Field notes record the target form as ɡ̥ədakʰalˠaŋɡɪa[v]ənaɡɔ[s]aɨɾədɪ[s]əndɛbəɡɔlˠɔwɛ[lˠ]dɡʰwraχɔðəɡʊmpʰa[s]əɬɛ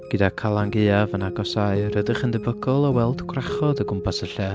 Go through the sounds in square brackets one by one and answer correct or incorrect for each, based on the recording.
correct, correct, incorrect, correct, correct

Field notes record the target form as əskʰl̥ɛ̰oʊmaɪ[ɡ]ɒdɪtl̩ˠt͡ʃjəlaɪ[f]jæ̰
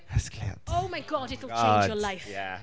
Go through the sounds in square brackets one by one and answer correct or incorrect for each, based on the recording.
correct, correct

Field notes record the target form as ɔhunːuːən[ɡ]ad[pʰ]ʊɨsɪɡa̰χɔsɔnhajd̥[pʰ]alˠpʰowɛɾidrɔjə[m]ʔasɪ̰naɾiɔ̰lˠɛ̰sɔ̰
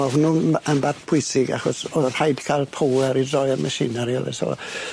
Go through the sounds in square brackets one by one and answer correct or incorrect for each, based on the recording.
incorrect, correct, incorrect, correct

